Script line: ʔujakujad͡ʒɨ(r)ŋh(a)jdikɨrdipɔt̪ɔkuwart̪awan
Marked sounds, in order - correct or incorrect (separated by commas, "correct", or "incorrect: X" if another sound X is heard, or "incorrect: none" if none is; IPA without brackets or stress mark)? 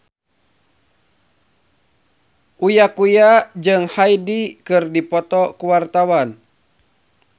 incorrect: none, correct